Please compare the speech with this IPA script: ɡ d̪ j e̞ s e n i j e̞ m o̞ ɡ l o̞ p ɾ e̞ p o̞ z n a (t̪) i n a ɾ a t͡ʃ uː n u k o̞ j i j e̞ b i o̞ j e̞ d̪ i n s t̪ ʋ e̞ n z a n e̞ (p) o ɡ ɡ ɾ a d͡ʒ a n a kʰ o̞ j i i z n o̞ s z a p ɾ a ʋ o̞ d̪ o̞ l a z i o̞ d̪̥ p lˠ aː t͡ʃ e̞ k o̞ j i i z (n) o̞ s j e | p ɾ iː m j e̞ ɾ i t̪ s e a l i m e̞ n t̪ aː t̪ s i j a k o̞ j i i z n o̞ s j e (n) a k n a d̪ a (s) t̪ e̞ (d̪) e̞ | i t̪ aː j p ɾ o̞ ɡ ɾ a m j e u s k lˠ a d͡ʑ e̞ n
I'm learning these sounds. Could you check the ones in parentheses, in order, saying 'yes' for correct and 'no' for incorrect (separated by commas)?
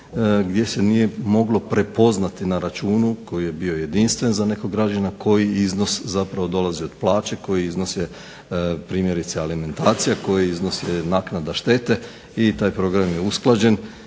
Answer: yes, no, yes, yes, no, no